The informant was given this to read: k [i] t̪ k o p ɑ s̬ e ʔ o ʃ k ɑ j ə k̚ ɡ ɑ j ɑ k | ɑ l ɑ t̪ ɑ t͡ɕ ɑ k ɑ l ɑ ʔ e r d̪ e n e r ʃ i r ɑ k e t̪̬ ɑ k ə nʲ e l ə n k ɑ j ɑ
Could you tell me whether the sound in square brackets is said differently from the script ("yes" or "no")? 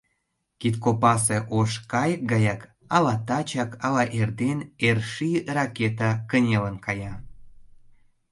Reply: no